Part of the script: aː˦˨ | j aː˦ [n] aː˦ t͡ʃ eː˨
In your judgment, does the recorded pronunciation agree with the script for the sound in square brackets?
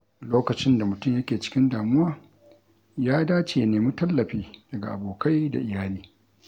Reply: no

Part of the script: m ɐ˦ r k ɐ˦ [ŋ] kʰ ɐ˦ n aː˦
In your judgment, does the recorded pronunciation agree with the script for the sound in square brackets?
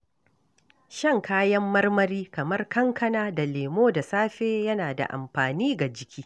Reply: yes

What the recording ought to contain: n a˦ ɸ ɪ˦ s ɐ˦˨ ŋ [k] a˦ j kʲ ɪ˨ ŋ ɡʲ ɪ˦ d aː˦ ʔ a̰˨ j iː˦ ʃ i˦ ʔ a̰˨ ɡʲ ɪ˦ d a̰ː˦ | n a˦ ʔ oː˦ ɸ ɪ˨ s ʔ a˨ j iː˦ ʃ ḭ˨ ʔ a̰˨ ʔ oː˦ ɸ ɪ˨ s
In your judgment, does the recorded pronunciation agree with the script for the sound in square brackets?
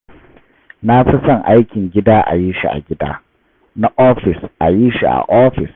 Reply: no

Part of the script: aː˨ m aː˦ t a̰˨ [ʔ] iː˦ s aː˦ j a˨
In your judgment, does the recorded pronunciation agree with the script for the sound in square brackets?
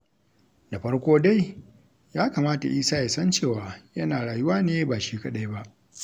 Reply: yes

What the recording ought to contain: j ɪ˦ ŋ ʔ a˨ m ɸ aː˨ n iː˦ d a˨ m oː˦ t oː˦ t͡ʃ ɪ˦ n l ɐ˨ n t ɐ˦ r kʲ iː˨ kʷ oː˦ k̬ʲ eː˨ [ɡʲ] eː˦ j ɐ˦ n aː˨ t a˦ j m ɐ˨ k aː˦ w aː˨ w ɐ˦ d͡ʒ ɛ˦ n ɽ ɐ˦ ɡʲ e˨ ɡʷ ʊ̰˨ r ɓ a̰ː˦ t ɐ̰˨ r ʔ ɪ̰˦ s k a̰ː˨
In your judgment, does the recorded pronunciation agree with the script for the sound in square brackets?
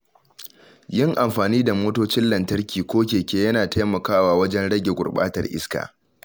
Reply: no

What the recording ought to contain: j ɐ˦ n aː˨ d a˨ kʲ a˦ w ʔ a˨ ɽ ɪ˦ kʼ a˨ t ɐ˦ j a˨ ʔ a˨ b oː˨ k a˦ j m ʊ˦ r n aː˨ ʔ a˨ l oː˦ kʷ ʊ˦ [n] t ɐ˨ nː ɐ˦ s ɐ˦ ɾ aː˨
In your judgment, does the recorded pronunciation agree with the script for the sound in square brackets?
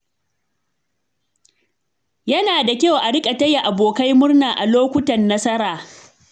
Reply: no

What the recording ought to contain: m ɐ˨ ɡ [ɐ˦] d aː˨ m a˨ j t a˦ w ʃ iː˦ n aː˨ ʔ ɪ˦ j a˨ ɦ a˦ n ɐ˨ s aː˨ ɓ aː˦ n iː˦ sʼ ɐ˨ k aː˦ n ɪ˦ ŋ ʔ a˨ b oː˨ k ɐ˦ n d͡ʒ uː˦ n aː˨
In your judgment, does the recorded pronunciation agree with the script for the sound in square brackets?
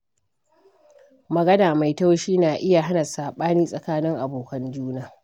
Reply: yes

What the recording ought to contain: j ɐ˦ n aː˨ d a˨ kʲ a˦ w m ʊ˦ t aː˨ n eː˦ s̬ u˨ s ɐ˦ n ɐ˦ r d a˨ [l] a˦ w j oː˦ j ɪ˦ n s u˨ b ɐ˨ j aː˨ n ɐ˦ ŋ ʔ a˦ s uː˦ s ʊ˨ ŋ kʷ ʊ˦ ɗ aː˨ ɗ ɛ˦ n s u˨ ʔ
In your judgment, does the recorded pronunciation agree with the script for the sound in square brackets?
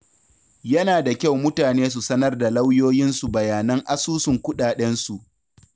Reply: yes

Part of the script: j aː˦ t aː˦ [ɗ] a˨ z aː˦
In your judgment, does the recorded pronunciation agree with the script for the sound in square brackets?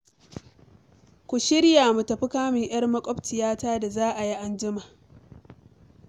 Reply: no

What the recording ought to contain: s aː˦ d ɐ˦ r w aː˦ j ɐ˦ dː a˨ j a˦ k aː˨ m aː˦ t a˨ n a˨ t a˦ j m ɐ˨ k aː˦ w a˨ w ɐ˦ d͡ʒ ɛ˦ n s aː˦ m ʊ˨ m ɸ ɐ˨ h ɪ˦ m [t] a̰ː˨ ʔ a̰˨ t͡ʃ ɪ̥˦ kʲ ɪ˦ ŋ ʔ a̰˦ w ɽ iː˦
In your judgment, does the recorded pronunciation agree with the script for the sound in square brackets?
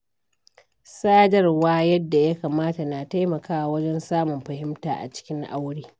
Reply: yes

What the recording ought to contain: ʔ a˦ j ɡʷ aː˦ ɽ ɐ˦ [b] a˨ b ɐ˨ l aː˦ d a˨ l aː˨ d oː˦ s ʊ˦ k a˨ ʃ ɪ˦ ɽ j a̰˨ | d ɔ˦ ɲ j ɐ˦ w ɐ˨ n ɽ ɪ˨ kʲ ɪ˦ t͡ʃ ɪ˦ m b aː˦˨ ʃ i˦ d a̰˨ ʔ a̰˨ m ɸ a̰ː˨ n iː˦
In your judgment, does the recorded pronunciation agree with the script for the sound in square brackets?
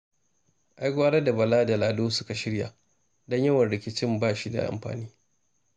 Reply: no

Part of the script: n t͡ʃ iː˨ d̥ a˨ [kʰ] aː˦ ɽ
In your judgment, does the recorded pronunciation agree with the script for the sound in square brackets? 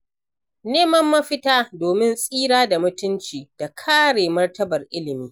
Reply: yes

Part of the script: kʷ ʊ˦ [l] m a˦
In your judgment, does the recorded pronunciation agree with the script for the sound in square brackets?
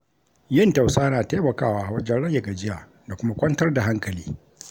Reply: no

